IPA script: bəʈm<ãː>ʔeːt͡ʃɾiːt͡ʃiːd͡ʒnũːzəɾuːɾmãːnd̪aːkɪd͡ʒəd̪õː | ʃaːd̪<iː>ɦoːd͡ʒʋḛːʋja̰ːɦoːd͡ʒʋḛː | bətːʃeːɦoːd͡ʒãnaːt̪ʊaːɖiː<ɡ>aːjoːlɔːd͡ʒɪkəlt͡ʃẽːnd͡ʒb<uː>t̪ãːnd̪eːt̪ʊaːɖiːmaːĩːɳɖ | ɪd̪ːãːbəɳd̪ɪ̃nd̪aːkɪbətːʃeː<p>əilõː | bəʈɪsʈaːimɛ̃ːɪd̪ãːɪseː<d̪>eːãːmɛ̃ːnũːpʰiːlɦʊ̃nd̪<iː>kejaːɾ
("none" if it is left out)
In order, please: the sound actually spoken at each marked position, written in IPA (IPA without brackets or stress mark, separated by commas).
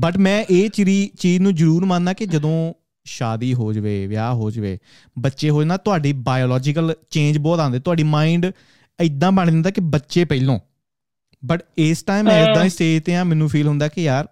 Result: ɛ̃ː, iː, b, ɔː, p, t̪, aː